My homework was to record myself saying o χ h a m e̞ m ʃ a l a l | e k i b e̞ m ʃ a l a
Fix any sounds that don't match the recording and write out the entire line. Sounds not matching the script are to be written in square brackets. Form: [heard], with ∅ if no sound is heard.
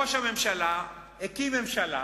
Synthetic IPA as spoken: o [ʃ] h a m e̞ m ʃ a l a [∅] | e k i [m] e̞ m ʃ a l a

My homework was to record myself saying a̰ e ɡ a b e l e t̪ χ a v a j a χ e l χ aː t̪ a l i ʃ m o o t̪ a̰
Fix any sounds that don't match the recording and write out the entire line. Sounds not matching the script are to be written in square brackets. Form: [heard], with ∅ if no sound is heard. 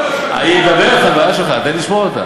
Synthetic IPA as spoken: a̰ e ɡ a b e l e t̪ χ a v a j a [ʃ] e l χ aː t̪ a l i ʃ m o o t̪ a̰

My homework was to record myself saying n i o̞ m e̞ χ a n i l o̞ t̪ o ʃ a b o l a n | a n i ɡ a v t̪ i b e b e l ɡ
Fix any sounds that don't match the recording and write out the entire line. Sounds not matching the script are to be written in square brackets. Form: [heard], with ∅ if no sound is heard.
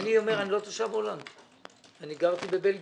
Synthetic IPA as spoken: n i o̞ m e̞ [ʁ] a n i l o̞ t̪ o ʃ a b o l a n | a n i ɡ a [ʁ] t̪ i b e b e l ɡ

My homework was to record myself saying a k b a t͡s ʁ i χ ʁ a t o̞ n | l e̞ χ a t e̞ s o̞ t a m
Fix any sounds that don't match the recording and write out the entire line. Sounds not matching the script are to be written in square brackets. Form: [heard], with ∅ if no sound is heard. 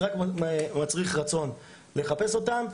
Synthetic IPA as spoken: a k [m] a t͡s ʁ i χ ʁ a [t͡s] o̞ n | l e̞ χ a [p] e̞ s o̞ t a m

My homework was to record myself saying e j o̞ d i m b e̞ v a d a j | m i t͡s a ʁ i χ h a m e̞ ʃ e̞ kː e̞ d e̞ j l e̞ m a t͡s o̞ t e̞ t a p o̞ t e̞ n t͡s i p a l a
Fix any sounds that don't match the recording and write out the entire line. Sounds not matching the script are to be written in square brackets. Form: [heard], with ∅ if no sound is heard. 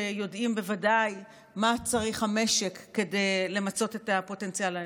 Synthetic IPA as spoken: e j o̞ d i m b e̞ v a d a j | m [a] t͡s a ʁ i χ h a m e̞ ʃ e̞ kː e̞ d e̞ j l e̞ m a t͡s o̞ t e̞ t a p o̞ t e̞ n t͡s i [∅] a l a

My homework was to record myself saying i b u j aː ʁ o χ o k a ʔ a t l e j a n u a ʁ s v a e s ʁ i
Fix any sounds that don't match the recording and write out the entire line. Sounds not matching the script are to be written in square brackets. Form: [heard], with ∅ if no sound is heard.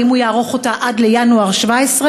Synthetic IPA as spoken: i [m] u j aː ʁ o χ o [t] a ʔ a [d] l e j a n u a ʁ [ʃ] v a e s ʁ [e]

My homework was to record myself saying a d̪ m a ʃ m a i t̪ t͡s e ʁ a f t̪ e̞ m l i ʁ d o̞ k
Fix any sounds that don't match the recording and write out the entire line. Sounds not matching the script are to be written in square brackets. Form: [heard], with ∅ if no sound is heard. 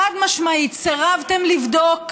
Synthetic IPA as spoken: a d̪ m a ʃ m a i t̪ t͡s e ʁ a [v] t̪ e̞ m l i [v] d o̞ k

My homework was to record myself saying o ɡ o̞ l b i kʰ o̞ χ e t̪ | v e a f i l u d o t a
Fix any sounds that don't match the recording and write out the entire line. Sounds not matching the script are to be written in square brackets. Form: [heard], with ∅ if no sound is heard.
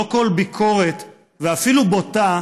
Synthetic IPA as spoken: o [k] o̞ l b i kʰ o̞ [ʁ] e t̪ | v e a f i l u [b] o t a

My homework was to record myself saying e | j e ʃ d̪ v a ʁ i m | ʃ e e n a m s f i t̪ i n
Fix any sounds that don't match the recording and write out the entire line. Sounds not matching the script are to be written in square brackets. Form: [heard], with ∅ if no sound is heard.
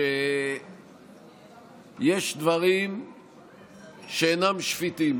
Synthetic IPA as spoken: e | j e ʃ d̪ v a ʁ i m | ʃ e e n a m [ʃ] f i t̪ i [m]

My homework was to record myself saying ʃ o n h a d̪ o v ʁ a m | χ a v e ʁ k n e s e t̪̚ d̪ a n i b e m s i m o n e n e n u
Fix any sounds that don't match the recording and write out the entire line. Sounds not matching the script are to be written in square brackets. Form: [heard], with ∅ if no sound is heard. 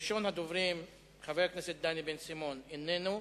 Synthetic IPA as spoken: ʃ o n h a d̪ o v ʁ [i] m | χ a v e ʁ k n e s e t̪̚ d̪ a n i b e [n] s i m o n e n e n u

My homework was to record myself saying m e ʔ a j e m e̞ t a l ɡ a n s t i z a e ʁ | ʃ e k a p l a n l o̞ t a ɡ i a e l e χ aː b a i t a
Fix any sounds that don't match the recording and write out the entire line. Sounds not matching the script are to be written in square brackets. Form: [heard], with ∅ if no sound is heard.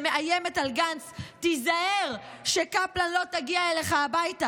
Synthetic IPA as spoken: m e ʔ a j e m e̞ t a l ɡ a n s t i z a e ʁ | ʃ e k a p l a n l o̞ t a ɡ i a e l e χ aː b a [j] t a

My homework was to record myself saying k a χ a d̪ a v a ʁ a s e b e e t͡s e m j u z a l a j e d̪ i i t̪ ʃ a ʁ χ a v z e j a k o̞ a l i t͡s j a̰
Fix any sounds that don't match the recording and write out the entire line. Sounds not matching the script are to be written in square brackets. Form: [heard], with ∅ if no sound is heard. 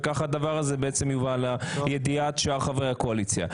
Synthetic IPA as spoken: k a χ a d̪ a v a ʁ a [z] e b e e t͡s e m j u [v] a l a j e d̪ i [a] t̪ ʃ a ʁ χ a v [ʁ] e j a k o̞ a l i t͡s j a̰

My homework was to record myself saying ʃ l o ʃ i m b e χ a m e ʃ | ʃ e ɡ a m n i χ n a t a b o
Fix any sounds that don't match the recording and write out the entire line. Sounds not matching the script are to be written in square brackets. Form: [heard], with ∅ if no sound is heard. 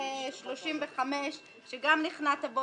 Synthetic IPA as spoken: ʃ l o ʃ i m [v] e χ a m e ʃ | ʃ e ɡ a m n i χ n a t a b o

